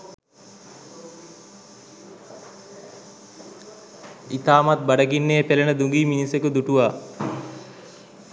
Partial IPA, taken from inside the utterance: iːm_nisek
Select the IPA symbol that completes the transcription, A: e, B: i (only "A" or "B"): B